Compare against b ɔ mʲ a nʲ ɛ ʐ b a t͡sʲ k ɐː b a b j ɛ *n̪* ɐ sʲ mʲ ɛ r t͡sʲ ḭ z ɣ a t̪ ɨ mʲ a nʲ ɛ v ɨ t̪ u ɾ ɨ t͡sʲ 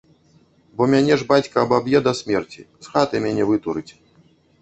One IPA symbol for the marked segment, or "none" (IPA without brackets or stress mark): d̪